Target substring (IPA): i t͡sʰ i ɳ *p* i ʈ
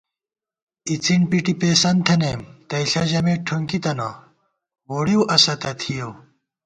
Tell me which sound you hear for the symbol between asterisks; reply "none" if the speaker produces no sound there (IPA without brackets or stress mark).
p